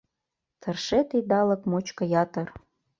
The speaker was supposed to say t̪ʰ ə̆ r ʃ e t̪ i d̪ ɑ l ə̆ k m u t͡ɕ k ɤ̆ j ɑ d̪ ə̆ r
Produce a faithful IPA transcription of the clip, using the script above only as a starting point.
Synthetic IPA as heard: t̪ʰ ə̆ r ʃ e t̪ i d̪ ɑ l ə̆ k m o t͡ɕ k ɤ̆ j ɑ t̪ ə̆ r